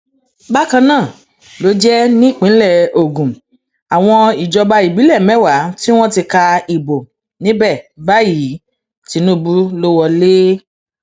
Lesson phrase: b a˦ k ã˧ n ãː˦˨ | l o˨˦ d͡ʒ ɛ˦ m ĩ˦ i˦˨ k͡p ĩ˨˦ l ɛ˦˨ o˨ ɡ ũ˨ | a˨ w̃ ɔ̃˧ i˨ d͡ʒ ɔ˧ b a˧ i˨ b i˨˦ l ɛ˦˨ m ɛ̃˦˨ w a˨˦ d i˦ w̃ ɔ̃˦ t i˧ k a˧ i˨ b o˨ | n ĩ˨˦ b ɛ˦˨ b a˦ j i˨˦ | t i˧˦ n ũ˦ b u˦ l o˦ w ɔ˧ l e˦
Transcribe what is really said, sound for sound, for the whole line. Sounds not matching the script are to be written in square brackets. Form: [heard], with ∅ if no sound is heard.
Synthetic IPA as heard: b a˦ k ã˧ n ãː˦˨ | l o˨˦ d͡ʒ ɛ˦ [n] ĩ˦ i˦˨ k͡p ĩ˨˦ l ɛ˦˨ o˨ ɡ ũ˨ | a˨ w̃ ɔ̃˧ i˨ d͡ʒ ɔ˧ b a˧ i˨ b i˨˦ l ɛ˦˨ m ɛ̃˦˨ w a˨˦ [t] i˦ w̃ ɔ̃˦ t i˧ k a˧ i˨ b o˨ | n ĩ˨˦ b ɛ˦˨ b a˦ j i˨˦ | t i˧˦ n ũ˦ b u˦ l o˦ w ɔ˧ l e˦